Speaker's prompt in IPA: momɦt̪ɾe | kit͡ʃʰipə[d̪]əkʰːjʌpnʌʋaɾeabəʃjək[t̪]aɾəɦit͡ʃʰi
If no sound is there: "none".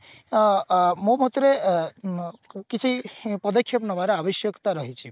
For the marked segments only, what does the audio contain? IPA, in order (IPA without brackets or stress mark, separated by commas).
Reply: d̪, t̪